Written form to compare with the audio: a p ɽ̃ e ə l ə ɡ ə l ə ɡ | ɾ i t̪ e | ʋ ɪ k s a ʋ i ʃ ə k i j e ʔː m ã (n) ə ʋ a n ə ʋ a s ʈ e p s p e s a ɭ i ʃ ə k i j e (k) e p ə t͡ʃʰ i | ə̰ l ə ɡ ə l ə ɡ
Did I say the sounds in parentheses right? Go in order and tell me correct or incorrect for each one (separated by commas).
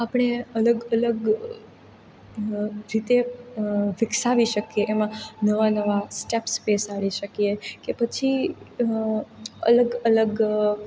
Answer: correct, correct